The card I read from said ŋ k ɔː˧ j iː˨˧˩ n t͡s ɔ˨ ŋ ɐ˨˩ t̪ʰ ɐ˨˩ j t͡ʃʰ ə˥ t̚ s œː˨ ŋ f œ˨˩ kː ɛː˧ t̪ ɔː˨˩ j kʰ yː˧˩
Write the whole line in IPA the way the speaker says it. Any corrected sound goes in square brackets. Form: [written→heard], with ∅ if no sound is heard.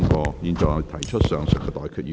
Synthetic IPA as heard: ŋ k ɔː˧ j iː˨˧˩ n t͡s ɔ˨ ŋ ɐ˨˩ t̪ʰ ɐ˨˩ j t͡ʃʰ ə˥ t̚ s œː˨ ŋ [f→s] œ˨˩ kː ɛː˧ t̪ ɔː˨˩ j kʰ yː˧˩